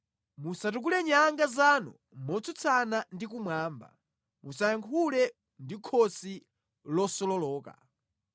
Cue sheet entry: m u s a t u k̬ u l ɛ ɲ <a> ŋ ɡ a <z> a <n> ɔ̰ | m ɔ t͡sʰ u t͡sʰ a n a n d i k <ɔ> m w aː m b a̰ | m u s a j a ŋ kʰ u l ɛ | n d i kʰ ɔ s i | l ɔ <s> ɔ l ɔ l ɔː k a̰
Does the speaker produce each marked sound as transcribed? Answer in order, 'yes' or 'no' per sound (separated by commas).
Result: yes, yes, yes, no, yes